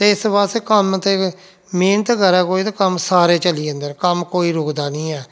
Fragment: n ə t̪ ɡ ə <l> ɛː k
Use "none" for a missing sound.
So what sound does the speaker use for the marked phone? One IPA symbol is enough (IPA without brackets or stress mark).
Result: ɾ